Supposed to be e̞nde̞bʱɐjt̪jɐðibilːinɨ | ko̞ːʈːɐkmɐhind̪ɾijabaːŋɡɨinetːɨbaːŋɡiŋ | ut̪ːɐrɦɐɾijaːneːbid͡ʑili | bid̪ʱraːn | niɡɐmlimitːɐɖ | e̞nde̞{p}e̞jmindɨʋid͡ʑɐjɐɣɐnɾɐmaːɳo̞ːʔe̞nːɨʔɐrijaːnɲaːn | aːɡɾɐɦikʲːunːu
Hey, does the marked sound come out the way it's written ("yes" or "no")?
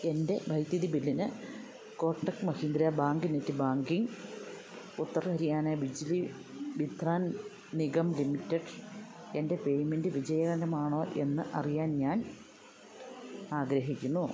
yes